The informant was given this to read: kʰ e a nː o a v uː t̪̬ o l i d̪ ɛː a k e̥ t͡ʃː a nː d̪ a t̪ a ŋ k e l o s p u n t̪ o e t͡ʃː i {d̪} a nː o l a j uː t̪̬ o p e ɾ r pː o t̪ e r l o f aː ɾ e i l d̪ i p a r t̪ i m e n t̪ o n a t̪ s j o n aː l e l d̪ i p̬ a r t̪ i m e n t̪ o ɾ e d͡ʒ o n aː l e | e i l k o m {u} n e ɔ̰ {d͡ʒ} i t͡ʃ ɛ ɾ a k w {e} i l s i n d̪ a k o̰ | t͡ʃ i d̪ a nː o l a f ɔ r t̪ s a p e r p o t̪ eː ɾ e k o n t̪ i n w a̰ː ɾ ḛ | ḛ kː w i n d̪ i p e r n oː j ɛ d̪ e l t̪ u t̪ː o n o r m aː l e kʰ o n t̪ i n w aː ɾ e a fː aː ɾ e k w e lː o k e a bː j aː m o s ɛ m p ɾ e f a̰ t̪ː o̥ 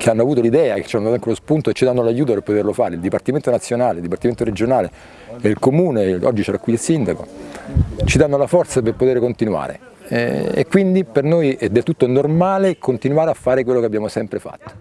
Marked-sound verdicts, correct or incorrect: correct, incorrect, incorrect, incorrect

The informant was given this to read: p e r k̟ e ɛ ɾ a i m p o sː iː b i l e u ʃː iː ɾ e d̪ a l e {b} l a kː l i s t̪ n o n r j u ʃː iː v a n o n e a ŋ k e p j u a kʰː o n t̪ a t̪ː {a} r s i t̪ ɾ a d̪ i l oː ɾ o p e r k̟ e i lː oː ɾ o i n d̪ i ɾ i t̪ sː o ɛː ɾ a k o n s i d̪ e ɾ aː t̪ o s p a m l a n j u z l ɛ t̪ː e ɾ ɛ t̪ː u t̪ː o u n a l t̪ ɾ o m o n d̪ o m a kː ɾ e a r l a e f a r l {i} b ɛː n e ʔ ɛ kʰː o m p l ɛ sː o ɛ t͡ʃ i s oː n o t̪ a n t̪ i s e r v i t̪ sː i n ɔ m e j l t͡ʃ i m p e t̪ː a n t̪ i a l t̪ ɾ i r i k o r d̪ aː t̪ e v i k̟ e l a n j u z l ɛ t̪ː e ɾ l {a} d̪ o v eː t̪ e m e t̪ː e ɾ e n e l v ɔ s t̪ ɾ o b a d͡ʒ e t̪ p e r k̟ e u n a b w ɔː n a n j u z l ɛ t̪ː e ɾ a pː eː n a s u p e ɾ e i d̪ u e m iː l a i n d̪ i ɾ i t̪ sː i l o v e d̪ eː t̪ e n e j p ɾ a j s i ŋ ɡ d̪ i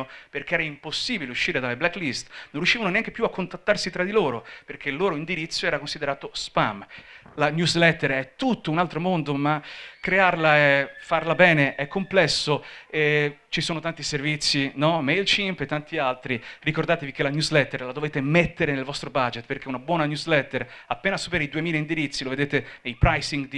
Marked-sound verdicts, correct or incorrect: correct, correct, incorrect, correct

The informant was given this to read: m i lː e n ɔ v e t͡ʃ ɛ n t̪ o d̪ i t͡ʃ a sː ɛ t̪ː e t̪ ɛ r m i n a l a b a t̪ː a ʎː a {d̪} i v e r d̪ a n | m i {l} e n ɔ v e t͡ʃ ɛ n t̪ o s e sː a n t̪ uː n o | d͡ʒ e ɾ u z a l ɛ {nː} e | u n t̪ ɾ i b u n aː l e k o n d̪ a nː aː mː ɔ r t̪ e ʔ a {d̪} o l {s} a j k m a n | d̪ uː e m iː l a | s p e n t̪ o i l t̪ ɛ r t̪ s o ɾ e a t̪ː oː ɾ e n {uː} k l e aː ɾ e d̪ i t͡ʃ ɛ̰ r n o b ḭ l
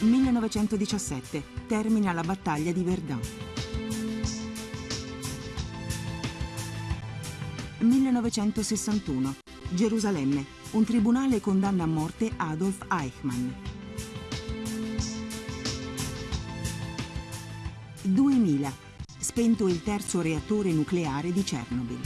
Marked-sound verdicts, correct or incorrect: correct, incorrect, incorrect, correct, incorrect, incorrect

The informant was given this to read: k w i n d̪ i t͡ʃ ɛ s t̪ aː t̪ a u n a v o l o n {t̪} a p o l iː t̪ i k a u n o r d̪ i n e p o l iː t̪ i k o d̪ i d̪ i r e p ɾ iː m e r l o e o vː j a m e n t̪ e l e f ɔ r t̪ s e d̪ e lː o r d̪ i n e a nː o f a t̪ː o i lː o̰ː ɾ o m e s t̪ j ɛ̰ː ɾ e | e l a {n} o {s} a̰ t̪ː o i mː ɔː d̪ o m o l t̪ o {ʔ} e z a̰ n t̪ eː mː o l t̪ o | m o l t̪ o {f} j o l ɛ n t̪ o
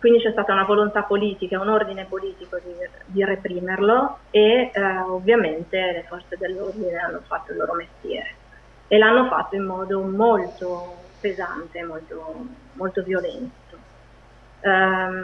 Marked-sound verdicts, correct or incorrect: correct, incorrect, incorrect, incorrect, incorrect

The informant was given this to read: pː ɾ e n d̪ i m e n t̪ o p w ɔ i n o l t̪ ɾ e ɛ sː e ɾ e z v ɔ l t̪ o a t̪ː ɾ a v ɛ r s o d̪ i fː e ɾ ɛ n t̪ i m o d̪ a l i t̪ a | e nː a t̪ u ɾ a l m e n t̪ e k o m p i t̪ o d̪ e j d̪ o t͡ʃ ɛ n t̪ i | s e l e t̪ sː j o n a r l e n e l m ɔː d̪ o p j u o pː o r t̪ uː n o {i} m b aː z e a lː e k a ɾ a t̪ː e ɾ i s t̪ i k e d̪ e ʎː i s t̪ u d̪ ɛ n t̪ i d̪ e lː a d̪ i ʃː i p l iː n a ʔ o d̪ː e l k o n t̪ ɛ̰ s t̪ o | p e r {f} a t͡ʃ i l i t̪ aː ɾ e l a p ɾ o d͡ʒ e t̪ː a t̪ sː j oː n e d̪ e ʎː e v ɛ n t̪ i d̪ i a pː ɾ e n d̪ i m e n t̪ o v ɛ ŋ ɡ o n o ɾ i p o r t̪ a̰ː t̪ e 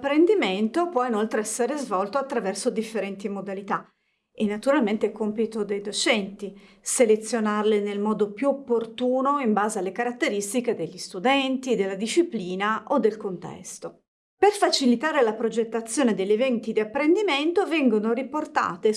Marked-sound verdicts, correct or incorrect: correct, correct

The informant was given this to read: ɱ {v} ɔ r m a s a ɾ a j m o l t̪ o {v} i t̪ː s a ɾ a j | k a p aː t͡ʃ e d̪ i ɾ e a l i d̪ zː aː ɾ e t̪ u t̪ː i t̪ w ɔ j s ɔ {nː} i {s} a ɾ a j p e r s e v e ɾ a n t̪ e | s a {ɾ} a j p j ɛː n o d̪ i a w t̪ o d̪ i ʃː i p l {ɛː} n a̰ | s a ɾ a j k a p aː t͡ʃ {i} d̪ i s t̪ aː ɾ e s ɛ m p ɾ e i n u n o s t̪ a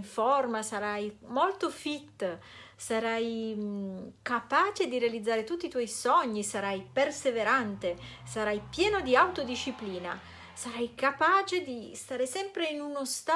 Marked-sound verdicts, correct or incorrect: incorrect, incorrect, incorrect, correct, correct, incorrect, incorrect

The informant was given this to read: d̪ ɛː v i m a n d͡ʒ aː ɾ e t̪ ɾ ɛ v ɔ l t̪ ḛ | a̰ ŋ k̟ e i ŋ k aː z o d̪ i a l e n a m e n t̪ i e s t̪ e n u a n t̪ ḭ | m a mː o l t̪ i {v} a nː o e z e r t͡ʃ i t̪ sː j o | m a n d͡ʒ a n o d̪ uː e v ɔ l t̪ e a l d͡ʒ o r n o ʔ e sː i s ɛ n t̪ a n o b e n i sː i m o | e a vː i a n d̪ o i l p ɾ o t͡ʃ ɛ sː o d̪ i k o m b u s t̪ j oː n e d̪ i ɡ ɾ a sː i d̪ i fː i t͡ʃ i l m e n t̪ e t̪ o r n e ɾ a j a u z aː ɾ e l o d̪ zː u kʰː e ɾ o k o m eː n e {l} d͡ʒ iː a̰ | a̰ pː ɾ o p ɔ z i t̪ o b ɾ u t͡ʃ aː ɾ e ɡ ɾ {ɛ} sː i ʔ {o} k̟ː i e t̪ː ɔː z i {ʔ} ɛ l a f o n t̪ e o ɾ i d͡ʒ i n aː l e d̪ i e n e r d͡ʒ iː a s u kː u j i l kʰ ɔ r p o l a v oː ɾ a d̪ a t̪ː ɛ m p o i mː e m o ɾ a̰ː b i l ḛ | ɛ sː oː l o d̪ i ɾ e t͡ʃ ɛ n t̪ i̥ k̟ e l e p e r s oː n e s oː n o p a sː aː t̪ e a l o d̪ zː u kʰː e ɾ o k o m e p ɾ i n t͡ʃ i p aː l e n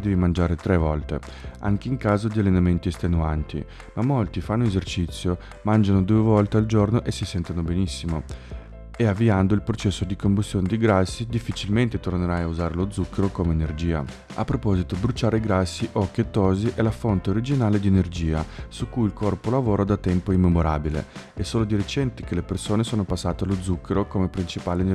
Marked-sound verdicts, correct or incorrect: incorrect, incorrect, incorrect, incorrect, correct

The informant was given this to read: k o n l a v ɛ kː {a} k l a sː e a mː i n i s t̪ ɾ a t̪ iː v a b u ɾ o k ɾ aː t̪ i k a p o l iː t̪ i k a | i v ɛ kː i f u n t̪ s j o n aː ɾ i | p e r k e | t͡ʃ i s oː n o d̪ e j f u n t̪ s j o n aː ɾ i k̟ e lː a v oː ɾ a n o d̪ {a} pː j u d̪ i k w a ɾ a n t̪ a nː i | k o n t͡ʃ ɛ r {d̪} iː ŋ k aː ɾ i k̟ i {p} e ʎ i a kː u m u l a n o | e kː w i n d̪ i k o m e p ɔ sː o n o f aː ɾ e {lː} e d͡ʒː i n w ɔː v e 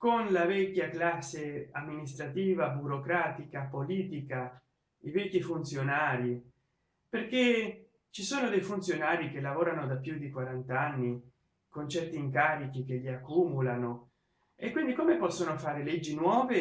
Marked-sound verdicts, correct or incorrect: correct, correct, incorrect, incorrect, incorrect

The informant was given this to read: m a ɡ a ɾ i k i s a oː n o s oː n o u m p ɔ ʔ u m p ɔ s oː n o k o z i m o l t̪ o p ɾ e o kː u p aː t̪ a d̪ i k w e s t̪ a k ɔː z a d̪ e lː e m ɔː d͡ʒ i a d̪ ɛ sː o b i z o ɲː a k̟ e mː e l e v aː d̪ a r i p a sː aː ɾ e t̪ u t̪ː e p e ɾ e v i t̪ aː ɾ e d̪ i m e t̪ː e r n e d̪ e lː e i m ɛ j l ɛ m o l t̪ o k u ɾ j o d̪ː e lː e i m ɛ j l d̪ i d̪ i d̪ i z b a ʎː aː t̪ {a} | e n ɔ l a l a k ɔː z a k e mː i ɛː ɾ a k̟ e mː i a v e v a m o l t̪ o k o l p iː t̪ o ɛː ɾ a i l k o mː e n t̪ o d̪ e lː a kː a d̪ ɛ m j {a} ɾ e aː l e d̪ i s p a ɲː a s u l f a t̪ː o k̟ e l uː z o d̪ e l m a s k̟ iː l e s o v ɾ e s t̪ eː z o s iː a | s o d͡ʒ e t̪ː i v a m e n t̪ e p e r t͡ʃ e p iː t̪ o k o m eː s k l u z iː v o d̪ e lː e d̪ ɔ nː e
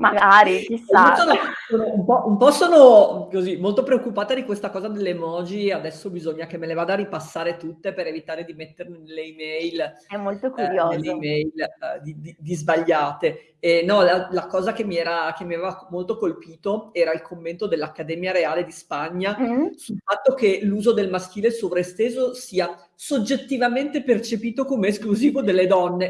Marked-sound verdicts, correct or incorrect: incorrect, correct

